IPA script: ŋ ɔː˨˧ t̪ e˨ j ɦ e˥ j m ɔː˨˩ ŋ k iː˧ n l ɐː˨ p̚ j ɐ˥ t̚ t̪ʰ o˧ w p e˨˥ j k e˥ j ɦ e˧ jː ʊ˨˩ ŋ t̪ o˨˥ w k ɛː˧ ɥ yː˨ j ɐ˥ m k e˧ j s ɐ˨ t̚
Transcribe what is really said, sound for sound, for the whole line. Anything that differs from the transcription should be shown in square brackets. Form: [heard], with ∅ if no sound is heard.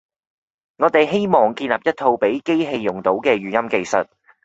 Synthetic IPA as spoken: ŋ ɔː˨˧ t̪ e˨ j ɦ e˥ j m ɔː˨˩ ŋ k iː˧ n l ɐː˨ p̚ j ɐ˥ t̚ t̪ʰ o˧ w p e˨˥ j k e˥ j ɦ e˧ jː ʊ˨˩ ŋ t̪ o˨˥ w k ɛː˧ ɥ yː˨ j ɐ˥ m k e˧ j s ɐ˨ t̚